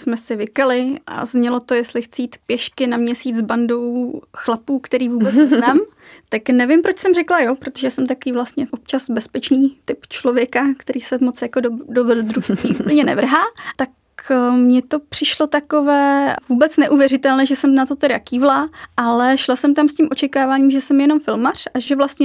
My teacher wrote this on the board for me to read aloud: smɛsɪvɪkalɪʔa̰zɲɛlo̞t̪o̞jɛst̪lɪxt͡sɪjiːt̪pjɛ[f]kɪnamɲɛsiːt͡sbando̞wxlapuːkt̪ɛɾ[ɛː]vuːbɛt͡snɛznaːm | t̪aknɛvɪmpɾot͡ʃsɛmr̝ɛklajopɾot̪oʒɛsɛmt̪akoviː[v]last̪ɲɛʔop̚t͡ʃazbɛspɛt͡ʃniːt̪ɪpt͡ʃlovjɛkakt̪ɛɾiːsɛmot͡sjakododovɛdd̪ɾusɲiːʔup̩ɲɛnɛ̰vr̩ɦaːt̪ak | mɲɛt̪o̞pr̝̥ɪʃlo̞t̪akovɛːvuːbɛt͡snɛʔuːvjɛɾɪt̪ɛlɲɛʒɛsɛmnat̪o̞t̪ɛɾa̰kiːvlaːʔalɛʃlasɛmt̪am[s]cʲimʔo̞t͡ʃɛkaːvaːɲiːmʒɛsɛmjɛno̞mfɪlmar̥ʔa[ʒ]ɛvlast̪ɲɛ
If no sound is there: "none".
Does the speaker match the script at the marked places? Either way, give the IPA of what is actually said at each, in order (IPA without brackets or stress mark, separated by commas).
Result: ʃ, iː, v, s, ʒ